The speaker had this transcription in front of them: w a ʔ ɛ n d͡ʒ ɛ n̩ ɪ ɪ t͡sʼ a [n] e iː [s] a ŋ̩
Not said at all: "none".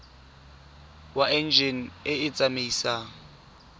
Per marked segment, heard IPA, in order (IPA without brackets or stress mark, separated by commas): m, s